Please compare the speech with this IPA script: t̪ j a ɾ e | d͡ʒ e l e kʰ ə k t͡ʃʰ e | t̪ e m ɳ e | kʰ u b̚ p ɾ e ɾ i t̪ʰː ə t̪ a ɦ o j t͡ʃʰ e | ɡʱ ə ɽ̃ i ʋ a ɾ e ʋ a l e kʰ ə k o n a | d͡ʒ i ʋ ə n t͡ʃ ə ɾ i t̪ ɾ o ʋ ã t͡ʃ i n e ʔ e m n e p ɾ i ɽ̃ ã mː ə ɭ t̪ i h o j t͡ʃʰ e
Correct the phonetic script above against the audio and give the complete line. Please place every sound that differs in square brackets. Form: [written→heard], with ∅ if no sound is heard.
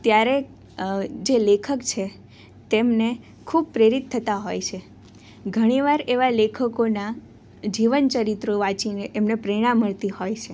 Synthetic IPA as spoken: t̪ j a ɾ e | d͡ʒ e l e kʰ ə k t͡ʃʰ e | t̪ e m [ɳ→n] e | kʰ u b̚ p ɾ e ɾ i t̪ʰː ə t̪ a ɦ o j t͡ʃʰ e | ɡʱ ə ɽ̃ i ʋ a ɾ e ʋ a l e kʰ ə k o n a | d͡ʒ i ʋ ə n t͡ʃ ə ɾ i t̪ ɾ o ʋ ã t͡ʃ i n e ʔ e m n e p ɾ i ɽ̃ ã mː ə ɭ t̪ i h o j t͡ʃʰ e